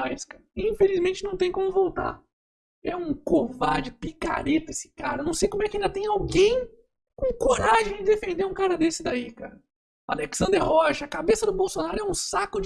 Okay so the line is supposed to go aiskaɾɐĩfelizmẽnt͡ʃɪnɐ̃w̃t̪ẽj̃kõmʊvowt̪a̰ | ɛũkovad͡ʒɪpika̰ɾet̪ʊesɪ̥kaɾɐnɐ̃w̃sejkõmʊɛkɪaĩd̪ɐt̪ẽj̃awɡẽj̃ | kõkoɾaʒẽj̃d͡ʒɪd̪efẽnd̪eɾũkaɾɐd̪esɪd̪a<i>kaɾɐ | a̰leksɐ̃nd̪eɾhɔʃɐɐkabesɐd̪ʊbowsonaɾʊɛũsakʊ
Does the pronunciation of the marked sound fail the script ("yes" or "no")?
no